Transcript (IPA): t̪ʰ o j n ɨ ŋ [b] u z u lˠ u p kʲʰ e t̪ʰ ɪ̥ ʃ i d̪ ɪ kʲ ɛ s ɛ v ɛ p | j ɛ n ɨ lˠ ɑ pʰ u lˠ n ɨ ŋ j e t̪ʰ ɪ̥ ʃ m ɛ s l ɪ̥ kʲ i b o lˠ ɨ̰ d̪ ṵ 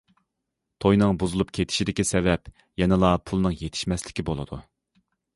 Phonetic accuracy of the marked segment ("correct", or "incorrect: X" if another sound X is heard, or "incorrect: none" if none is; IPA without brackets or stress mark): correct